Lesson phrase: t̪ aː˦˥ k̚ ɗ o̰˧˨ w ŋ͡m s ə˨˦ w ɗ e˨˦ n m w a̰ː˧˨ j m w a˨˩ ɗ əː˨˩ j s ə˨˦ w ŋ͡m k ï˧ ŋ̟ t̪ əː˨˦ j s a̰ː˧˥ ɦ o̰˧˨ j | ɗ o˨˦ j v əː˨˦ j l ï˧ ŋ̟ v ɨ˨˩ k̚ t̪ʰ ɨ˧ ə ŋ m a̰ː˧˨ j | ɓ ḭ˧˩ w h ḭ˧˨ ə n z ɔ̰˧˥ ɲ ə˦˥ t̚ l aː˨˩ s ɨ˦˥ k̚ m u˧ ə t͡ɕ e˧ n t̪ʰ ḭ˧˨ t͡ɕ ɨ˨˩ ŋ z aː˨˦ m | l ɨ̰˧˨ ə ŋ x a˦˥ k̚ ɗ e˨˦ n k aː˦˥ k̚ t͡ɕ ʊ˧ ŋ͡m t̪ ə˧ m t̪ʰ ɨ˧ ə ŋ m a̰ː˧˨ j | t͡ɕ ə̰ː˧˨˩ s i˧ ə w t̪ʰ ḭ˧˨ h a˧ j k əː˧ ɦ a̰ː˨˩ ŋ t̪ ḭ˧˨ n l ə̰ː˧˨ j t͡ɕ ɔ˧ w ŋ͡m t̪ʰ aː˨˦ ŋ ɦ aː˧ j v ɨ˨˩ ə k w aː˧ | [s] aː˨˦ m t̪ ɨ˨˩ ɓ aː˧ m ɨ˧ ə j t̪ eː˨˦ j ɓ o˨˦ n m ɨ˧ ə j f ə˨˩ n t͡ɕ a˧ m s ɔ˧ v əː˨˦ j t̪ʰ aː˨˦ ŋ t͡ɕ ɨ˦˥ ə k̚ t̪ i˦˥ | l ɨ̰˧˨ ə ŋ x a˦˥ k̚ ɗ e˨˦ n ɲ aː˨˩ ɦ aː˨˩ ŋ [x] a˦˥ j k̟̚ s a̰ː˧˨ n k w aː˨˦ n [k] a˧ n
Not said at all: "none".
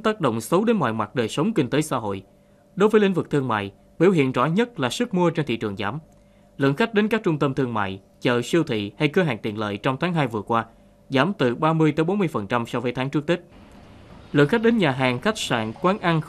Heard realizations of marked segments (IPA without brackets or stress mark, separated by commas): z, x, ʔ